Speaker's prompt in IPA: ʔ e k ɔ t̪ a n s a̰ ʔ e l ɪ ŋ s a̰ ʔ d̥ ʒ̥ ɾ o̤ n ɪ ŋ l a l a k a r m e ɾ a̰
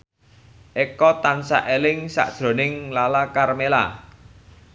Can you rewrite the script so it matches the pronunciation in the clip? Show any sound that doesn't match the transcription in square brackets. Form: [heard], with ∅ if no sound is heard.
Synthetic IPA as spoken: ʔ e k ɔ t̪ a n s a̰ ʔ e l ɪ ŋ s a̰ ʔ d̥ ʒ̥ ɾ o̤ n ɪ ŋ l a l a k a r m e [l] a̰